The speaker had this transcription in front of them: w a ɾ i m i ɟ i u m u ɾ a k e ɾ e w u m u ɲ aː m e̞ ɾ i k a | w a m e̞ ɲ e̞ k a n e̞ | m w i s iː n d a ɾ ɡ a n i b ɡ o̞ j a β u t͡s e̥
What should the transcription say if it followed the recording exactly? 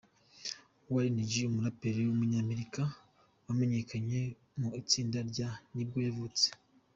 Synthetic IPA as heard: w a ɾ i n i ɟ i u m u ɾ a p e ɾ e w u m u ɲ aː m e̞ ɾ i k a | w a m e̞ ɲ e̞ k a ɲ e̞ | m u i t͡s iː n d a ɾ ɟ a n i b ɡ o̞ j a v u t͡s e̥

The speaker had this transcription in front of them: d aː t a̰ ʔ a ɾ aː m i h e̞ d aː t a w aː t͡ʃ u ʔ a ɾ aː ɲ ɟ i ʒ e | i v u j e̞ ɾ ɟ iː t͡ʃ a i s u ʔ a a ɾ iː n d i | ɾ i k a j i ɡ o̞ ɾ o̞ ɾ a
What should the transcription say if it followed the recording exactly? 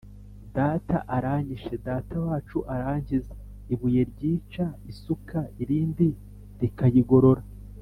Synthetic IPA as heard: d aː t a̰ ʔ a ɾ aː ɲ i ʃ e̞ d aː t a w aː t͡ʃ u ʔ a ɾ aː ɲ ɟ i z e | i β u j e̞ ɾ ɟ iː t͡ʃ a i s u k a i ɾ iː n d i | ɾ i k a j i ɡ o̞ ɾ o̞ ɾ a

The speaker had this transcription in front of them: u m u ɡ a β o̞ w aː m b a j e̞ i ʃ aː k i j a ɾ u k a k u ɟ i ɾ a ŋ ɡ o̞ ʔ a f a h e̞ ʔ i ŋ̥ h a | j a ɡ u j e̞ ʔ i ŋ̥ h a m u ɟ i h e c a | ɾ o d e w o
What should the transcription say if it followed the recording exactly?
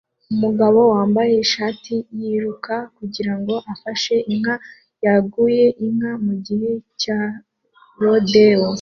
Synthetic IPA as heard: u m u ɡ a β o̞ w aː m b a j e̞ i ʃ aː t i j i ɾ u k a k u ɟ i ɾ a ŋ ɡ o̞ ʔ a f a ʃ e̞ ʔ i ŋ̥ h a | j a ɡ u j e̞ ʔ i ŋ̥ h a m u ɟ i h e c a | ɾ o d e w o

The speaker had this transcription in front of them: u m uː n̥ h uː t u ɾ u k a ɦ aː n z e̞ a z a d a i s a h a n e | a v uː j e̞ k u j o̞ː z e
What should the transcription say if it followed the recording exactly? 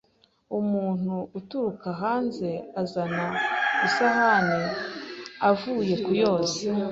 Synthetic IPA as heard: u m uː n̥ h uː t u ɾ u k a ɦ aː n z e̞ a z a n a i s a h a n e | a v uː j e̞ k u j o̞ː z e

